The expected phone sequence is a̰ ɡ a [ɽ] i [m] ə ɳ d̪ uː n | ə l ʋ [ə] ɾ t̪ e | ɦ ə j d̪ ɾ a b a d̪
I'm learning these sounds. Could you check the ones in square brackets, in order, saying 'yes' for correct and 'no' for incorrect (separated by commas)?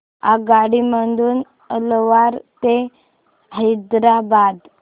yes, yes, no